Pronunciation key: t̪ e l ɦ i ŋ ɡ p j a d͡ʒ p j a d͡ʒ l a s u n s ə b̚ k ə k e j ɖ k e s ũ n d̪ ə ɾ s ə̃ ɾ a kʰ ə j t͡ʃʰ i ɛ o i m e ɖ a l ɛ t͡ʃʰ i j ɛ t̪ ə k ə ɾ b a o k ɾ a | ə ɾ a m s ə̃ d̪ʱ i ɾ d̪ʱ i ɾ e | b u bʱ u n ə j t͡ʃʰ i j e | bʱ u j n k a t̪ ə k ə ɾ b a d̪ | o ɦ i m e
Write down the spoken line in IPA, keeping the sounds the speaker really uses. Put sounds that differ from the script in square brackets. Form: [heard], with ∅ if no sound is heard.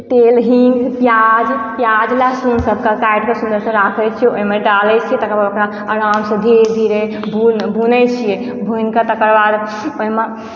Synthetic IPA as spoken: t̪ e l ɦ i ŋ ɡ p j a d͡ʒ p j a d͡ʒ l a s u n s ə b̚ k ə k [a] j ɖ k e s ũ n d̪ ə ɾ s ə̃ ɾ a kʰ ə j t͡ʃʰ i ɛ o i m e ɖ a l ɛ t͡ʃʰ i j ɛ t̪ ə k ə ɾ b a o k ɾ a | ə ɾ a m s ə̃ d̪ʱ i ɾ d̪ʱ i ɾ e | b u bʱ u n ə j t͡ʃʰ i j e | bʱ u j n k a t̪ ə k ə ɾ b a d̪ | o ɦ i m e